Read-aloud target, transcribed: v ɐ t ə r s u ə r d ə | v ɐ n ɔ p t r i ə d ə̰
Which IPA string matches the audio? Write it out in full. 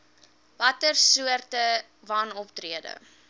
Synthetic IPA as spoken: v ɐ t ə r s u ə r t ə | v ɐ n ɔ p t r i ə d ə̰